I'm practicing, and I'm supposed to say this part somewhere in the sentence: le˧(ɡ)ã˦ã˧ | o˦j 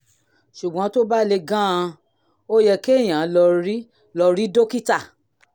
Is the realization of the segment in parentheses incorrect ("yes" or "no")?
no